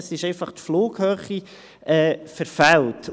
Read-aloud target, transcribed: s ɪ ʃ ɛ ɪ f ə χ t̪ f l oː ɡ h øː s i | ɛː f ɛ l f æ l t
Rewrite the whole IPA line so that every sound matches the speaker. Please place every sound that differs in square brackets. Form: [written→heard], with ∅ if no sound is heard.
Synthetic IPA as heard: s ɪ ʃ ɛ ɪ f [ə→ɑ] χ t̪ f l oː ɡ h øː [s→χ] i | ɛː f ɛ [l→ɾ] f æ l t